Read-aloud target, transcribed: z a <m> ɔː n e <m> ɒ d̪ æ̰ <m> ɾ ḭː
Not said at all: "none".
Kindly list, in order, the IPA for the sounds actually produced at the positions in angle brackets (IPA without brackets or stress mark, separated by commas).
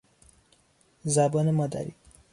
b, m, none